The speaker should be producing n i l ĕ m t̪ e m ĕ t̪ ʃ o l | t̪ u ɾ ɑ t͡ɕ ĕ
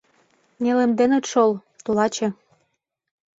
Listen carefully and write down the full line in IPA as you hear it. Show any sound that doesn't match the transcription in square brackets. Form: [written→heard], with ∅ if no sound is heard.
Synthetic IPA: n [i→e] l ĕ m [t̪→d̪] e [m→n] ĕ t̪ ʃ o l | t̪ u [ɾ→l] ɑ t͡ɕ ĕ